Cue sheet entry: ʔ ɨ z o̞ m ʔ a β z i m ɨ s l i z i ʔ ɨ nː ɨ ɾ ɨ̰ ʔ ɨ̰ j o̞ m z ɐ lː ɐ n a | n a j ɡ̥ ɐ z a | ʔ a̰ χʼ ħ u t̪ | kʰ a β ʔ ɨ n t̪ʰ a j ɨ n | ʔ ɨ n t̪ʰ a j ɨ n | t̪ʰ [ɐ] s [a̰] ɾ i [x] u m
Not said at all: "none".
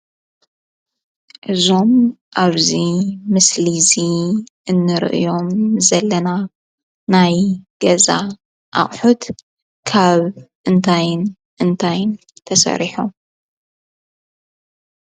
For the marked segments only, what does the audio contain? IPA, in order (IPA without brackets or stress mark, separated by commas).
ɐ, ɐ̰, ħ